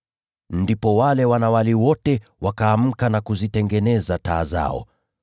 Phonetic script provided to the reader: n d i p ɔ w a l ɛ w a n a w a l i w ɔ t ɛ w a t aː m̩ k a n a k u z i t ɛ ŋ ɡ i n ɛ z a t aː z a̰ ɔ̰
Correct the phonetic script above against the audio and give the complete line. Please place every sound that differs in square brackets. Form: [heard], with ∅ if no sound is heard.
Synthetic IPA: n d i p ɔ w a l ɛ w a n a w a l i w ɔ t ɛ w a [k] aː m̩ k a n a k u z i t ɛ ŋ ɡ [ɛ] n ɛ z a t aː z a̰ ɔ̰